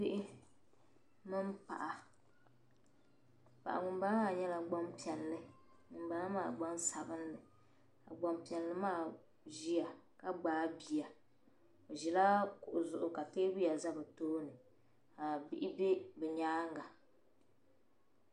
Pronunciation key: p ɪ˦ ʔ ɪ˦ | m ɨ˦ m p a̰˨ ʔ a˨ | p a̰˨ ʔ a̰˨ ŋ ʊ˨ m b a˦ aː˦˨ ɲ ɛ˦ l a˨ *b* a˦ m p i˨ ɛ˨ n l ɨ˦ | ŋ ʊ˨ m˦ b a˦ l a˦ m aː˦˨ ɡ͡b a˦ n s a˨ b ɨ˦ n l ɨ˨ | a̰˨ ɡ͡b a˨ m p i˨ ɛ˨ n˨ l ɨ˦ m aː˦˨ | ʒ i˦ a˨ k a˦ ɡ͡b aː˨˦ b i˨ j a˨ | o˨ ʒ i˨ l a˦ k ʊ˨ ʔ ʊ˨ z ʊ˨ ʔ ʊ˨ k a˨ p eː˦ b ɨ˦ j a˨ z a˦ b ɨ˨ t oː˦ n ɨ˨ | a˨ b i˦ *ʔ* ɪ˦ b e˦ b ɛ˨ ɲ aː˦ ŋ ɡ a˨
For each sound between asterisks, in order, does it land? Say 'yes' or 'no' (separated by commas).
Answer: no, yes